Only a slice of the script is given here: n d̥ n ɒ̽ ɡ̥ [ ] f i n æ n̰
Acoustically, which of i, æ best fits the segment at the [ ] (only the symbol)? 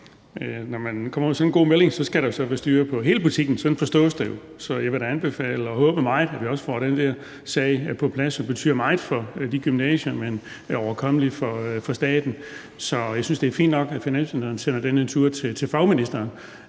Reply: æ